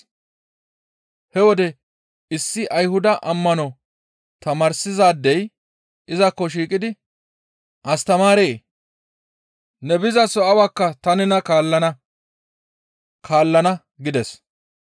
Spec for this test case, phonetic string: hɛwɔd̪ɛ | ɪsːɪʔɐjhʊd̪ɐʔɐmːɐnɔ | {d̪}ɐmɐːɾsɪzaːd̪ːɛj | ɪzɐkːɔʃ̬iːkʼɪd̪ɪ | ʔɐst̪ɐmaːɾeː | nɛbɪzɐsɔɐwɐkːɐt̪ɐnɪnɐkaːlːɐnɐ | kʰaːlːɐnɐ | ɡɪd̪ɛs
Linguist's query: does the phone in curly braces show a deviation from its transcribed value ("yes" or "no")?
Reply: yes